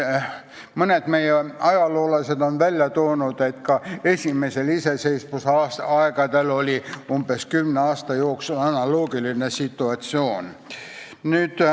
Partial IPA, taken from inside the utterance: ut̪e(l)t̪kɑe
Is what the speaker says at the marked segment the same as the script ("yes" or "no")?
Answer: no